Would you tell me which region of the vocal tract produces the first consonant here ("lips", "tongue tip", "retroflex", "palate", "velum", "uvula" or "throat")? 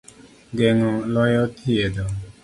velum